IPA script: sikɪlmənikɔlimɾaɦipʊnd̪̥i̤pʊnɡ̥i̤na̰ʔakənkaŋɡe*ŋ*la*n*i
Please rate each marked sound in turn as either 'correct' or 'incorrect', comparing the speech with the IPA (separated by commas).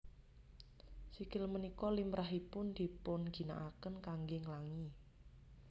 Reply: correct, incorrect